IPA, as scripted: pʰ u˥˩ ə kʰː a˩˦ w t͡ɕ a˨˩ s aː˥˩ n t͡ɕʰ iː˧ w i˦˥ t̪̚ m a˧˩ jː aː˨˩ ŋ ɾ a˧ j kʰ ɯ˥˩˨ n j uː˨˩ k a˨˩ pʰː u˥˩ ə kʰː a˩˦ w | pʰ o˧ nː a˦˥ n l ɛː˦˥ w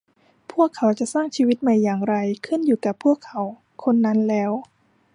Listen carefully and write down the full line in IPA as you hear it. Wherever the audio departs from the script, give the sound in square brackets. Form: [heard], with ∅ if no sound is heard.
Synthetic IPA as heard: pʰ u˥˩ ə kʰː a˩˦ w t͡ɕ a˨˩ s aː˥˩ [ŋ] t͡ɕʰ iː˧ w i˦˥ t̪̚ m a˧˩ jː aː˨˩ ŋ ɾ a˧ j kʰ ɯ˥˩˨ n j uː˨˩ k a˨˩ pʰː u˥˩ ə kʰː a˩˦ w | [kʰ] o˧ nː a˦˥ n l ɛː˦˥ w